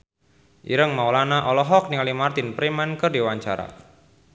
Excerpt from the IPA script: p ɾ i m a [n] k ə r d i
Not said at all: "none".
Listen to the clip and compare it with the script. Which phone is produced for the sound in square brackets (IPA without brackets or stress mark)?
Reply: n